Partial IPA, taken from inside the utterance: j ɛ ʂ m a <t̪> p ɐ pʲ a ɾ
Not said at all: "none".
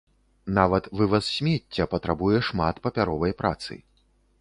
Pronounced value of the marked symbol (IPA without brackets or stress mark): t̪